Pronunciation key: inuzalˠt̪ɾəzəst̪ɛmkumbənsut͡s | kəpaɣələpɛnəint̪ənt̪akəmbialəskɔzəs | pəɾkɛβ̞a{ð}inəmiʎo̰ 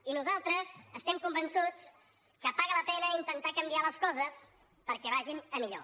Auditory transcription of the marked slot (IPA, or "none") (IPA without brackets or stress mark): ʒ